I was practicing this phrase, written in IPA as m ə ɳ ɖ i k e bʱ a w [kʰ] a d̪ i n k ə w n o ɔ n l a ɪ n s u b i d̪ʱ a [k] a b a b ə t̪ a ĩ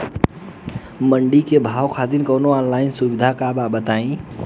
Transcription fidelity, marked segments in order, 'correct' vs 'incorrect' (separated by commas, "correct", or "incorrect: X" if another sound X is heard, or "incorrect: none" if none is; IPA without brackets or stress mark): correct, correct